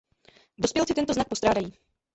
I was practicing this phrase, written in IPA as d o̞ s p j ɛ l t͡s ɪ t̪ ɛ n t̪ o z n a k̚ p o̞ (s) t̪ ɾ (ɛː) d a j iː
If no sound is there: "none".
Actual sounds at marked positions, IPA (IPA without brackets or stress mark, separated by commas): s, aː